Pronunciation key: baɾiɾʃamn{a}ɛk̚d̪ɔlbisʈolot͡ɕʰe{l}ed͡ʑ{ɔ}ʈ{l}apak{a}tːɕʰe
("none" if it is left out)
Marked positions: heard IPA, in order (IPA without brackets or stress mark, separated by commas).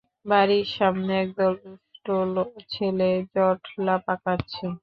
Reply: e, l, ɔ, l, a